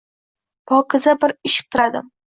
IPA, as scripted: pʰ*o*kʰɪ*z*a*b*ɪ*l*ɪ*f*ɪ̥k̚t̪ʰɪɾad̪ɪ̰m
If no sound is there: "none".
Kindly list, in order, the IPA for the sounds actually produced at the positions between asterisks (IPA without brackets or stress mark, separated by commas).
ɒ, z, b, ɾ, ʃ